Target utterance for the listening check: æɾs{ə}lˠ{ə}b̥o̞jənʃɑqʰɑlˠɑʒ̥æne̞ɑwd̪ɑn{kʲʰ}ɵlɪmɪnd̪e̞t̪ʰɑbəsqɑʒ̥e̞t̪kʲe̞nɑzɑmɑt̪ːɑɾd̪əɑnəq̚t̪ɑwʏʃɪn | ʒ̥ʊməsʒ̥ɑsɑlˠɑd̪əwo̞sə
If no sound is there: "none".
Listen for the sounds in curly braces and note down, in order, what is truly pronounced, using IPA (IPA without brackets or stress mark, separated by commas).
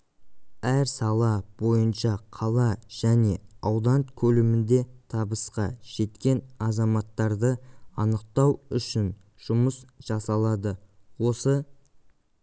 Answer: ɑ, ɑ, kʲʰ